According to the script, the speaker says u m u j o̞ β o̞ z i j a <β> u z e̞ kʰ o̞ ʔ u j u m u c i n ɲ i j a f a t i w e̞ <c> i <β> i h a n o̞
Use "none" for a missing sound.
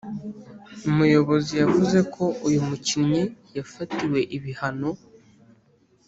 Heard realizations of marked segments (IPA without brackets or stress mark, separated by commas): v, ʔ, β